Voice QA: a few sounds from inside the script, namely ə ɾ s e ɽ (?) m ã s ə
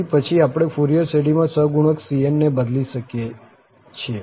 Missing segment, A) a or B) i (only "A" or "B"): B